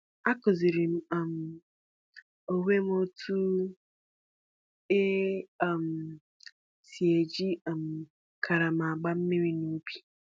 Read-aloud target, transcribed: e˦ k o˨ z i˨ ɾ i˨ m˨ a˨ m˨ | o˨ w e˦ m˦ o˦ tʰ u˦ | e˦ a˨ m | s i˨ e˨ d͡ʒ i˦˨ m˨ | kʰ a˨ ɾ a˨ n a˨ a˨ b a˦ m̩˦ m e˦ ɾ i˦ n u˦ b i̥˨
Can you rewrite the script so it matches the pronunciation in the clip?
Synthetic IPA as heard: a˦ k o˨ z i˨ ɾ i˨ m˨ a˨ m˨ | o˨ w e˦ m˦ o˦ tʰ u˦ | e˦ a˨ m | s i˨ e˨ d͡ʒ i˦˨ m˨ | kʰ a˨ ɾ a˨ m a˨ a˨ ɡ͡b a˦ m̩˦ m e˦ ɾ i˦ n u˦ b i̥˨